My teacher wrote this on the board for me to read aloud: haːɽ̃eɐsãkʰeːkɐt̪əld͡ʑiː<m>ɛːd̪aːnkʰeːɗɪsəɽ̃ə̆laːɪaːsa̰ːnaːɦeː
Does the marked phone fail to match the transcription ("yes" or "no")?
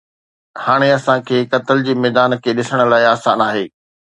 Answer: no